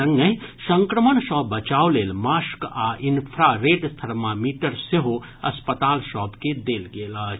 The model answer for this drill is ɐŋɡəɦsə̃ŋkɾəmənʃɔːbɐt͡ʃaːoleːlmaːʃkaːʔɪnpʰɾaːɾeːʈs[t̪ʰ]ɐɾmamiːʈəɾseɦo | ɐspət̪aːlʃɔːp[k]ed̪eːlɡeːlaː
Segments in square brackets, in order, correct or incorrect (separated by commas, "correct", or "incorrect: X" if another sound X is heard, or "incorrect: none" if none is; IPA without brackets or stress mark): correct, correct